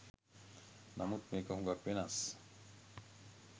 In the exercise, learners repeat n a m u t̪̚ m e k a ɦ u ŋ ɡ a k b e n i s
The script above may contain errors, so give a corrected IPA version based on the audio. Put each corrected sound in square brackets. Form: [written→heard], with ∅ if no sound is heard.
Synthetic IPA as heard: n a m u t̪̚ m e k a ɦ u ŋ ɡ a k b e n [i→a] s